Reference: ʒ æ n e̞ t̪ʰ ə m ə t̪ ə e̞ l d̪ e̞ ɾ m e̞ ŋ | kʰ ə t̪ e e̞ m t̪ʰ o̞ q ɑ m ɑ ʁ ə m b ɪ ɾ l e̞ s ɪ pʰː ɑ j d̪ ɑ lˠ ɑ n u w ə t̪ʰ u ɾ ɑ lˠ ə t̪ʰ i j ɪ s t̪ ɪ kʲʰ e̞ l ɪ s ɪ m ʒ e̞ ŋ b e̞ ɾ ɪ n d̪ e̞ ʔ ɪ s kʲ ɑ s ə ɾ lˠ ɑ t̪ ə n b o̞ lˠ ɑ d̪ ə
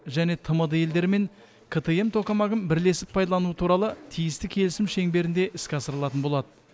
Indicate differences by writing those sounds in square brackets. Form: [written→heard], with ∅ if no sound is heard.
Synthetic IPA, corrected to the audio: ʒ æ n e̞ t̪ʰ ə m ə [t̪→d̪] ə e̞ l d̪ e̞ ɾ m e̞ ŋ | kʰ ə t̪ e e̞ m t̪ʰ o̞ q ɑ m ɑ ʁ ə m b ɪ ɾ l e̞ s ɪ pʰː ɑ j d̪ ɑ lˠ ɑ n u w ə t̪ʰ u ɾ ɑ lˠ ə t̪ʰ i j ɪ s t̪ ɪ kʲʰ e̞ l ɪ s ɪ m [ʒ→ʃ] e̞ ŋ b e̞ ɾ ɪ n d̪ e̞ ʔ ɪ s kʲ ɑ s ə ɾ lˠ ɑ t̪ ə n b o̞ lˠ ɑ d̪ ə